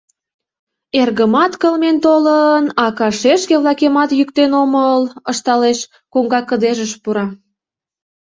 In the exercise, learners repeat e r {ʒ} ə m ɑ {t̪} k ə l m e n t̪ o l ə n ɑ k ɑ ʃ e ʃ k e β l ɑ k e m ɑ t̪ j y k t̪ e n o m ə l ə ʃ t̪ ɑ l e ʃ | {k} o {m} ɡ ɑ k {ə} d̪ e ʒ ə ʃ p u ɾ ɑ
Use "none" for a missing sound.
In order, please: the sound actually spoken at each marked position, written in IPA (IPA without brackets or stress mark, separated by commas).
ɣ, t̪, k, ŋ, ə